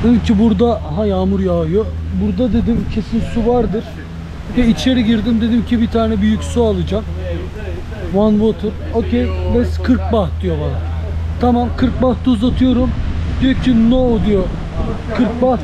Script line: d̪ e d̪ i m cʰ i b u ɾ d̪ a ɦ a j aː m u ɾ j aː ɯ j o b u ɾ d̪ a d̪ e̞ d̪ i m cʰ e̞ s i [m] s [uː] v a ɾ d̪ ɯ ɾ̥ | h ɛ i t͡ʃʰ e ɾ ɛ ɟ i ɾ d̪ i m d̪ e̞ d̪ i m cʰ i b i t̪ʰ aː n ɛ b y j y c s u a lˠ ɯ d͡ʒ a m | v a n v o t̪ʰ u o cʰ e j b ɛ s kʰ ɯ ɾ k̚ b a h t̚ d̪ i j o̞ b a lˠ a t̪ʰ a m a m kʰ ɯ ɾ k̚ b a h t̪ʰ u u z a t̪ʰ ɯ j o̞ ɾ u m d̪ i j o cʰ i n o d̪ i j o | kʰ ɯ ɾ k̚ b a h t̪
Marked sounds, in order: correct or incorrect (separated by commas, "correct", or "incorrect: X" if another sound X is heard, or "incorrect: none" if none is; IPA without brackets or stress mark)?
incorrect: n, incorrect: u